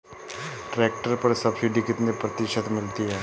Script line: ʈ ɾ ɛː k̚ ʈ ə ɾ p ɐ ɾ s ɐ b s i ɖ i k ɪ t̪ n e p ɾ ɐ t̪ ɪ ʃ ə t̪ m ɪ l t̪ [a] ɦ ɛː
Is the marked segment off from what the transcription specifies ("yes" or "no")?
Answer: yes